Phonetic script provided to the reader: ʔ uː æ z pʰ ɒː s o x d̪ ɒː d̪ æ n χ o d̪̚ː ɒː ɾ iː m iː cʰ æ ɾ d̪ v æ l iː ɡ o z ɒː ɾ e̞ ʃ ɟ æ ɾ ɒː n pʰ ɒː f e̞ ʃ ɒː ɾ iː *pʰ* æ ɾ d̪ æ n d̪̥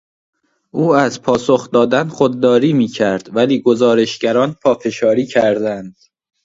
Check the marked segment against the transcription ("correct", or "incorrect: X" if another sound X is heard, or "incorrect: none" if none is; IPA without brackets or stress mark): incorrect: cʰ